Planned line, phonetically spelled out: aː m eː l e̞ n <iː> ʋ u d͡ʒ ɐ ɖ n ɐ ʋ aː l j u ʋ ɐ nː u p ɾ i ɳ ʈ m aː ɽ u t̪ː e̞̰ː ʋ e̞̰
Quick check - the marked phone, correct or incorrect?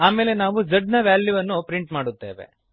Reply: incorrect